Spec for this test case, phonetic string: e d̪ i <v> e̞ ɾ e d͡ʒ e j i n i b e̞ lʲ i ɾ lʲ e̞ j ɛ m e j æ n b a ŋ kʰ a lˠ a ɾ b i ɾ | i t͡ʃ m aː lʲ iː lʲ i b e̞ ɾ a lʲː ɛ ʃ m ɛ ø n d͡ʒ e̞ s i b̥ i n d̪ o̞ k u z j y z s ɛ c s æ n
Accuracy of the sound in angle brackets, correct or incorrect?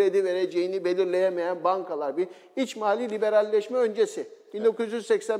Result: correct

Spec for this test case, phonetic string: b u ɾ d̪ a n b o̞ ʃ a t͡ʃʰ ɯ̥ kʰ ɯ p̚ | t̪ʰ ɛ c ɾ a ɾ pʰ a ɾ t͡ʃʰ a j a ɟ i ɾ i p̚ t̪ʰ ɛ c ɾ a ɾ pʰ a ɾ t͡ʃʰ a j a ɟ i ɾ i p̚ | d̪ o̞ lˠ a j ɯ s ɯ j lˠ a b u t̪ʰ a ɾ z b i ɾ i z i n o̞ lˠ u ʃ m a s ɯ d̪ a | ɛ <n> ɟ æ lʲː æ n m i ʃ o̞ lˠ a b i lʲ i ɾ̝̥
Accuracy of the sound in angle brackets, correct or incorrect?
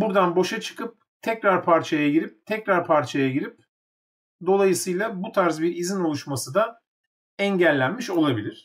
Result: incorrect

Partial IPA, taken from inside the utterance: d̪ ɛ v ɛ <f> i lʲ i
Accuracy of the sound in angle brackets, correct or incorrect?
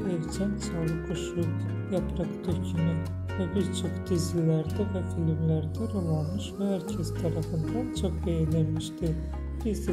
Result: correct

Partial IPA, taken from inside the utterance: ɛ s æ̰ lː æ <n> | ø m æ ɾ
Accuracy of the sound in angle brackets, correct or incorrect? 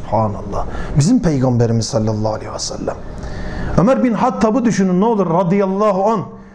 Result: incorrect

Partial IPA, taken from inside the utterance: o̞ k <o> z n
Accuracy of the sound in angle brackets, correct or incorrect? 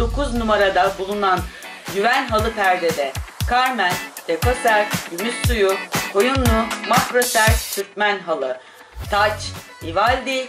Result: incorrect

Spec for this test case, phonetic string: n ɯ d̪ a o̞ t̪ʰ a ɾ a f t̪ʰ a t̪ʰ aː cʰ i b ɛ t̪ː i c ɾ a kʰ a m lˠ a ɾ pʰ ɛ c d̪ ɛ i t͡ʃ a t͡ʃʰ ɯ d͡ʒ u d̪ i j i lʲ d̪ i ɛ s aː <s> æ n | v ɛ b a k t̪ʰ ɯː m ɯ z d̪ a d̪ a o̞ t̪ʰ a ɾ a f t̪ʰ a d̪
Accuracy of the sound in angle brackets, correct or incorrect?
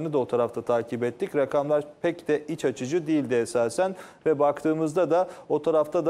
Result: correct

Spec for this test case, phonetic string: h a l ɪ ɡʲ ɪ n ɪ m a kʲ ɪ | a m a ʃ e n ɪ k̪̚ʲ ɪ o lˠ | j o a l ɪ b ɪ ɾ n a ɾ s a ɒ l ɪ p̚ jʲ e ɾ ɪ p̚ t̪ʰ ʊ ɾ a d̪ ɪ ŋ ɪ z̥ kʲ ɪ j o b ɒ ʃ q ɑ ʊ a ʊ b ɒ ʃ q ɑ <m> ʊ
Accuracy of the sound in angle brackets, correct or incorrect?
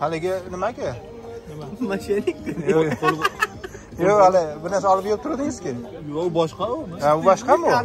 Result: correct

